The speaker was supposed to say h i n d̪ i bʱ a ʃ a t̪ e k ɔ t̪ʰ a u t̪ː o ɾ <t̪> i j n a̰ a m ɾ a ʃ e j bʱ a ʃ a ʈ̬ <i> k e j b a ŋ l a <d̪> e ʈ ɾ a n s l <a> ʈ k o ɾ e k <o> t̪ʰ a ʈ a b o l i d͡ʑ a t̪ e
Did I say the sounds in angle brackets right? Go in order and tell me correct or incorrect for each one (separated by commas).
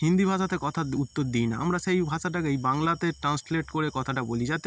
incorrect, incorrect, incorrect, incorrect, incorrect